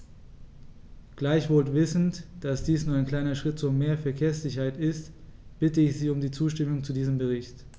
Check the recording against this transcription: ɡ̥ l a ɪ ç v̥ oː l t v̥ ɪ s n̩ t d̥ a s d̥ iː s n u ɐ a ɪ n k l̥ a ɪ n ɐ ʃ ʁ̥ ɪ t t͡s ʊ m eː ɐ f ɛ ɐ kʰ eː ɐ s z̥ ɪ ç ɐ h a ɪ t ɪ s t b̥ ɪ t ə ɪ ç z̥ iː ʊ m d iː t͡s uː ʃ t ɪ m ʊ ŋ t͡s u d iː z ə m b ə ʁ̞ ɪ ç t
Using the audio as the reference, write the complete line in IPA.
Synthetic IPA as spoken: ɡ̥ l a ɪ ç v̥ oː l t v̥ ɪ s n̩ t d̥ a s d̥ iː s n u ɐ a ɪ n k l̥ a ɪ n ɐ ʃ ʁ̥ ɪ t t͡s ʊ m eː ɐ f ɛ ɐ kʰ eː ɐ s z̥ ɪ ç ɐ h a ɪ t ɪ s t b̥ ɪ t ə ɪ ç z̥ iː ʊ m d iː t͡s uː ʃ t ɪ m ʊ ŋ t͡s u d iː z ə m b ə ʁ̞ ɪ ç t

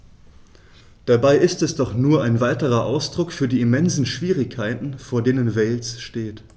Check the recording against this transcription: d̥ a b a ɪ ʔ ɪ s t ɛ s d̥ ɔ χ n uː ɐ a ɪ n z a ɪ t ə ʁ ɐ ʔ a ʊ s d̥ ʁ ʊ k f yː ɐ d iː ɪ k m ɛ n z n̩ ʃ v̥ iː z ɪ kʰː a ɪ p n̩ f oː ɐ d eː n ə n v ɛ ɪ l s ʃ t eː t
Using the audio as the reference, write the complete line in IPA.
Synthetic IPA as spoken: d̥ a b a ɪ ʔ ɪ s t ɛ s d̥ ɔ χ n uː ɐ a ɪ n v a ɪ t ə ʁ ɐ ʔ a ʊ s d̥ ʁ ʊ k f yː ɐ d iː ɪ m ɛ n z n̩ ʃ v̥ iː ʁ ɪ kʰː a ɪ t n̩ f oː ɐ d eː n ə n v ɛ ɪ l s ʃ t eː t

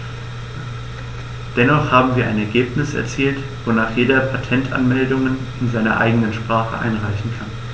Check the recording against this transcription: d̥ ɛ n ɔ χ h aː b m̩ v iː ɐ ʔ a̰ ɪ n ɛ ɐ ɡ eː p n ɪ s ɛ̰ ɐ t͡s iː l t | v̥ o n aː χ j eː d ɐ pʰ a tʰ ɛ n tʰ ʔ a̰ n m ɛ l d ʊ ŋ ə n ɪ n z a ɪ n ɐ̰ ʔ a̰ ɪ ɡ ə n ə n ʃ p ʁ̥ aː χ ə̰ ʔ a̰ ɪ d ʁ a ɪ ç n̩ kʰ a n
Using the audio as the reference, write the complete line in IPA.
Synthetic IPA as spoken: d̥ ɛ n ɔ χ h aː b m̩ v iː ɐ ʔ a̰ ɪ n ɛ ɐ ɡ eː p n ɪ s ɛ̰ ɐ t͡s iː l t | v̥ o n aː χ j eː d ɐ pʰ a tʰ ɛ n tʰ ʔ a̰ n m ɛ l d ʊ ŋ ə n ɪ n z a ɪ n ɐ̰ ʔ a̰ ɪ ɡ ə n ə n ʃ p ʁ̥ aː χ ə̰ ʔ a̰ ɪ n ʁ a ɪ ç n̩ kʰ a n

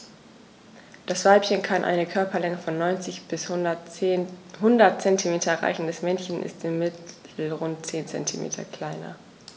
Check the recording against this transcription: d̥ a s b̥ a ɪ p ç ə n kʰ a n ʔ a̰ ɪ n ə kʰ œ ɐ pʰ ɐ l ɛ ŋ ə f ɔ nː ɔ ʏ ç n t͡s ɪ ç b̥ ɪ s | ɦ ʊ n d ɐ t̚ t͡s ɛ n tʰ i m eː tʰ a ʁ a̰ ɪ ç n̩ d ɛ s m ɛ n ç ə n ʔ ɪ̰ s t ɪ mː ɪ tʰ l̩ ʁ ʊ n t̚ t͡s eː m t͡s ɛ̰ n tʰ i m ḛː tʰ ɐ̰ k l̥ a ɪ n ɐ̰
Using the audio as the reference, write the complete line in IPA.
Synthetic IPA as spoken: d̥ a s v̥ a ɪ p ç ə n kʰ a n ʔ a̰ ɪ n ə kʰ œ ɐ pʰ ɐ l ɛ ŋ ə f ɔ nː ɔ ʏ n t͡s ɪ ç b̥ ɪ s | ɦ ʊ n d ɐ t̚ t͡s ɛ n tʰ i m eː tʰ ɐ ʁ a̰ ɪ ç n̩ d ɛ s m ɛ n ç ə n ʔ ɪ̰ s t ɪ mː ɪ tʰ l̩ ʁ ʊ n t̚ t͡s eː n t͡s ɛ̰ n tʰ i m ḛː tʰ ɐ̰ k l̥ a ɪ n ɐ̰

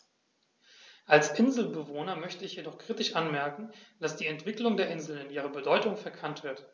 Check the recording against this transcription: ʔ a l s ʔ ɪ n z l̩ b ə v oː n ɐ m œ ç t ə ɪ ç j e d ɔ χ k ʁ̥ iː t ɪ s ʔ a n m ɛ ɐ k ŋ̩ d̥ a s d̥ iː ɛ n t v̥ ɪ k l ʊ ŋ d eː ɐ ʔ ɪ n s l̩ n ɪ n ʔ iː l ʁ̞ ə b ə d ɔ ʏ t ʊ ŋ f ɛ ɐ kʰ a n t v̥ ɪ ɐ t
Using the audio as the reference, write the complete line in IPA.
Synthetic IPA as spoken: ʔ a l s ʔ ɪ n z l̩ b ə v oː n ɐ m œ ç t ə ɪ ç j e d ɔ χ k ʁ̥ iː t ɪ ʃ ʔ a n m ɛ ɐ k ŋ̩ d̥ a s d̥ iː ɛ n t v̥ ɪ k l ʊ ŋ d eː ɐ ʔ ɪ n z l̩ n ɪ n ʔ iː ʁ̞ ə b ə d ɔ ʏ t ʊ ŋ f ɛ ɐ kʰ a n t v̥ ɪ ɐ t

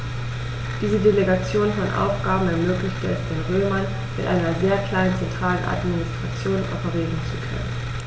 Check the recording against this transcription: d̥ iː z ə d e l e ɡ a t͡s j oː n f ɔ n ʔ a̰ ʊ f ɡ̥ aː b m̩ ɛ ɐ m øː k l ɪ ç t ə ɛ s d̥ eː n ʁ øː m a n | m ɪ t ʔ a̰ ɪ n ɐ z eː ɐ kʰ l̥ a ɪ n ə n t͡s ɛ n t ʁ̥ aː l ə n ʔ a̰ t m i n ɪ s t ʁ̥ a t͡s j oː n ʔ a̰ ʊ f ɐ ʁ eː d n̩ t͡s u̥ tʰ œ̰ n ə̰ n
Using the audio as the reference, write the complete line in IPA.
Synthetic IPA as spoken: d̥ iː z ə d e l e ɡ a t͡s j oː n f ɔ n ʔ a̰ ʊ f ɡ̥ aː b m̩ ɛ ɐ m øː k l ɪ ç t ə ɛ s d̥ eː n ʁ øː m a n | m ɪ t ʔ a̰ ɪ n ɐ z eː ɐ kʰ l̥ a ɪ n ə n t͡s ɛ n t ʁ̥ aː l ə n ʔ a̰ t m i n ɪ s t ʁ̥ a t͡s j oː n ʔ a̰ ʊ f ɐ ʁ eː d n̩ t͡s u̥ kʰ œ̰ n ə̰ n

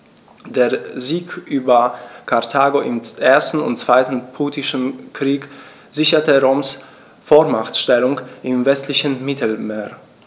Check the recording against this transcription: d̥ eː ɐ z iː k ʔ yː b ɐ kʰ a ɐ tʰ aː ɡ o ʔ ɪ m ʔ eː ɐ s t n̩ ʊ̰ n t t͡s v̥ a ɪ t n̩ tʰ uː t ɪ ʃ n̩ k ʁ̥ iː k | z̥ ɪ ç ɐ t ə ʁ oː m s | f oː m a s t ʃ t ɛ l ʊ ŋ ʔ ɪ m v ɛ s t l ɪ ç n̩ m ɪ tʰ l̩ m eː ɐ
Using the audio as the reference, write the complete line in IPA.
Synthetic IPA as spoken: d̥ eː ɐ z iː k ʔ yː b ɐ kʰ a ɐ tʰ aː ɡ o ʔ ɪ m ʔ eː ɐ s t n̩ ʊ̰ n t t͡s v̥ a ɪ t n̩ pʰ uː t ɪ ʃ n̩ k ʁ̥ iː k | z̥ ɪ ç ɐ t ə ʁ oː m s | f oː m a χ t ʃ t ɛ l ʊ ŋ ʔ ɪ m v ɛ s t l ɪ ç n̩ m ɪ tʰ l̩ m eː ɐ

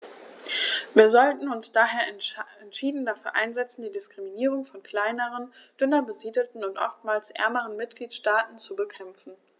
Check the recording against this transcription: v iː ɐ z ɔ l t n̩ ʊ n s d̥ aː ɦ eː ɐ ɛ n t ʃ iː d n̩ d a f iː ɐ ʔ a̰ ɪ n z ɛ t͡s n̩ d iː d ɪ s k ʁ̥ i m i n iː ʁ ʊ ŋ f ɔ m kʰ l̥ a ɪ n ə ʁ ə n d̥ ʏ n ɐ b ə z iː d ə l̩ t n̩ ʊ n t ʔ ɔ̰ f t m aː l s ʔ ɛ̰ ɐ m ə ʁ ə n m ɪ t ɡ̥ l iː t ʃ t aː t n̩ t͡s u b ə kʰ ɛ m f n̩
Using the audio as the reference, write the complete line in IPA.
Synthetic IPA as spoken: v iː ɐ z ɔ l t n̩ ʊ n s d̥ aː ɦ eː ɐ ɛ n t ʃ iː d n̩ d a f yː ɐ ʔ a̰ ɪ n z ɛ t͡s n̩ d iː d ɪ s k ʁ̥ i m i n iː ʁ ʊ ŋ f ɔ n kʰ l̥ a ɪ n ə ʁ ə n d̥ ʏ n ɐ b ə z iː d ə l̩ t n̩ ʊ n t ʔ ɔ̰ f t m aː l s ʔ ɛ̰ ɐ m ə ʁ ə n m ɪ t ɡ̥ l iː t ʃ t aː t n̩ t͡s u b ə kʰ ɛ m f n̩

